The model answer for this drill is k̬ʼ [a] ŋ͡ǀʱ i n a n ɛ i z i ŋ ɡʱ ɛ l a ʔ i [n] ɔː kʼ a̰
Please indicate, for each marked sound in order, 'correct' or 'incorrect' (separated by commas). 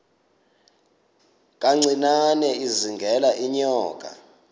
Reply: correct, incorrect